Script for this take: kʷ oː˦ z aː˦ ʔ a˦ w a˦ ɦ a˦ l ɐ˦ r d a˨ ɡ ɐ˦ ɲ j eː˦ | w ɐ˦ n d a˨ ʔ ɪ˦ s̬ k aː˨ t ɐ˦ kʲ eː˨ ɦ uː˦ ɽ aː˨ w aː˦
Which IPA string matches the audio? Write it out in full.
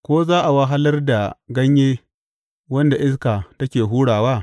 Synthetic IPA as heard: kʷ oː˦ z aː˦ ʔ a˨ w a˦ ɦ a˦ l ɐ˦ r d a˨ ɡ ɐ˦ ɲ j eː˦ | w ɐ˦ n d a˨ ʔ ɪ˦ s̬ k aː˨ t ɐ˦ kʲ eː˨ ɦ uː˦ ɽ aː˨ w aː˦